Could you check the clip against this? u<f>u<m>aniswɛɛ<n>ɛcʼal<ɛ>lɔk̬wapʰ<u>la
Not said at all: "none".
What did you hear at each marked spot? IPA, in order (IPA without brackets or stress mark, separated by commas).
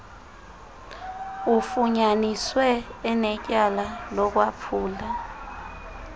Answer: f, ɲ, n, a, uː